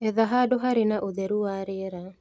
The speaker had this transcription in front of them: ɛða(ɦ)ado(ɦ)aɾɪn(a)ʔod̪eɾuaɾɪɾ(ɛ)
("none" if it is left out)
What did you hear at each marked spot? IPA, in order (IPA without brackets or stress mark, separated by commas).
ɦ, ɦ, a, a